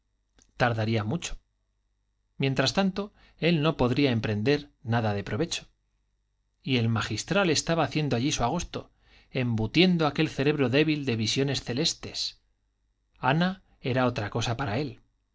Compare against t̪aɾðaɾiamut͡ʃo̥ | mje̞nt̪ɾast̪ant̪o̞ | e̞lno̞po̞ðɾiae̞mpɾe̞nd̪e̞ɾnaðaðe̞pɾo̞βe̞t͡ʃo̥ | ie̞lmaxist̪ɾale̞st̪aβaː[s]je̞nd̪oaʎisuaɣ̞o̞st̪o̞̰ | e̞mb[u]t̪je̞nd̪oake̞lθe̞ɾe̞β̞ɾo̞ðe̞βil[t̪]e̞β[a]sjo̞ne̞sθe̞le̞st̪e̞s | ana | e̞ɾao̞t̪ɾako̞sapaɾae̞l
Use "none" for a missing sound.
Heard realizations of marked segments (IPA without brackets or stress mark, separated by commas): θ, u, d̪, i